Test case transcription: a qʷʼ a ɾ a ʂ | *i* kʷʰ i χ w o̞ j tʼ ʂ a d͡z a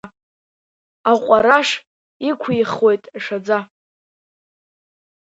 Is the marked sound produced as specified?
yes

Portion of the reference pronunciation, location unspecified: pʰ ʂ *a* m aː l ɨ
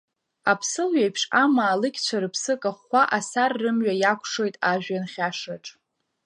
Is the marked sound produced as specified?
yes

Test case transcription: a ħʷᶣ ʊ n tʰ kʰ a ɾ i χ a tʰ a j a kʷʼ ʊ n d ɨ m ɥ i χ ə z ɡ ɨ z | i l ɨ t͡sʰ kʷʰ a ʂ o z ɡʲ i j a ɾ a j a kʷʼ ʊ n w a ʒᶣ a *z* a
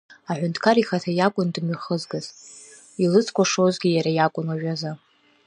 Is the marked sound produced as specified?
yes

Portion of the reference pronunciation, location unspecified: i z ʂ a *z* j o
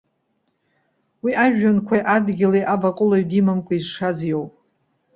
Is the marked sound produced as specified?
yes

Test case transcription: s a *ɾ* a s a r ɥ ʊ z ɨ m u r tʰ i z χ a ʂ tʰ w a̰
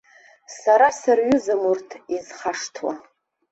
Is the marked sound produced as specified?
yes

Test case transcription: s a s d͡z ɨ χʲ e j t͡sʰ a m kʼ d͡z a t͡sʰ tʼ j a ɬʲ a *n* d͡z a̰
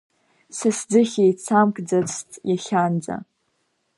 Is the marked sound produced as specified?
yes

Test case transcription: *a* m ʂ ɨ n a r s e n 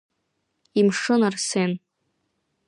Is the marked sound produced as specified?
no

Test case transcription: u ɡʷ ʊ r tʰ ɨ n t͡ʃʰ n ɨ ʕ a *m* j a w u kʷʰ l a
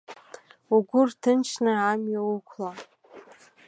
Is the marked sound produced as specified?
yes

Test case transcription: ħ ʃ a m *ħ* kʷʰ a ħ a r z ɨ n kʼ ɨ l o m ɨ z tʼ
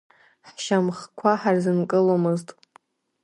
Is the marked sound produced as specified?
no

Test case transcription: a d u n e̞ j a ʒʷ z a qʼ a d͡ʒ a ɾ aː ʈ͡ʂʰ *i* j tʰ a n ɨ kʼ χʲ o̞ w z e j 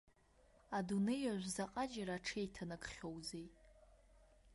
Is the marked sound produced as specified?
no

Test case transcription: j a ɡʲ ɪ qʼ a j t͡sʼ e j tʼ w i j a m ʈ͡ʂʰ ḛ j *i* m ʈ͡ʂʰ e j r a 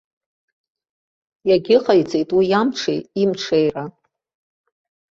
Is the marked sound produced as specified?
yes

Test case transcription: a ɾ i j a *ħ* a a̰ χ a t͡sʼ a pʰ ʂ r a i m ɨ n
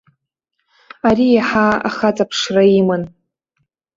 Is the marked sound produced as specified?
yes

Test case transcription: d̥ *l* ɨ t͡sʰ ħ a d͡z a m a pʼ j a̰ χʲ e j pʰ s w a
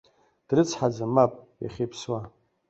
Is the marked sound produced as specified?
no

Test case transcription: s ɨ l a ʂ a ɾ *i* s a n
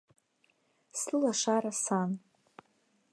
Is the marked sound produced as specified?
no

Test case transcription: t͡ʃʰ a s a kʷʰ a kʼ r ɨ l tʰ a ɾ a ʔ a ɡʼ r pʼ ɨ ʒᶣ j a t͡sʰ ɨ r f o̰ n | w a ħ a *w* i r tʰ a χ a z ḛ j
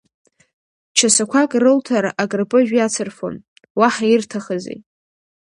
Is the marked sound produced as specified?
no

